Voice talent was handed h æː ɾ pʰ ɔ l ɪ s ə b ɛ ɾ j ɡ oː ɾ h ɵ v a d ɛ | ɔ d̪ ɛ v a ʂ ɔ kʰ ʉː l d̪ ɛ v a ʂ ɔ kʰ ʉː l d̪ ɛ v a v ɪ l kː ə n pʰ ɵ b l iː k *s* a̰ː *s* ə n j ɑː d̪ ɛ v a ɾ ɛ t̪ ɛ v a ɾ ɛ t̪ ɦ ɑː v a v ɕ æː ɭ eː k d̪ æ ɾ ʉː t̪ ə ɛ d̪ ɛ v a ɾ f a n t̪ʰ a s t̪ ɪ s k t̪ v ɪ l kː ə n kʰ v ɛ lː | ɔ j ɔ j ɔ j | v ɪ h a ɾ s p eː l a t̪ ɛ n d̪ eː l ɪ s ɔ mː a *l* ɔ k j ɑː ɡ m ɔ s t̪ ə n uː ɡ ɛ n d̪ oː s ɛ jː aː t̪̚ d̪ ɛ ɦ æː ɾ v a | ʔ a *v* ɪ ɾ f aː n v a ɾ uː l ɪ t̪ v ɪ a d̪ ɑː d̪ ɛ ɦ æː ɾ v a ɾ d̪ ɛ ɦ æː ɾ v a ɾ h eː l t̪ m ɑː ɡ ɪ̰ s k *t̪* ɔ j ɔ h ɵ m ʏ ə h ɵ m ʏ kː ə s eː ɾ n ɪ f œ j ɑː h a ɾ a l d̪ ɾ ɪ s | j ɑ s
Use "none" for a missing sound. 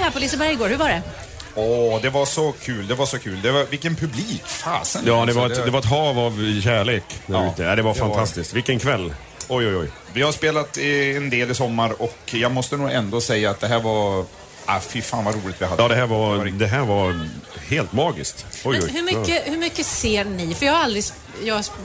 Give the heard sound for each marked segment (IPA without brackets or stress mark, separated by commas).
f, s, ɾ, f, t̪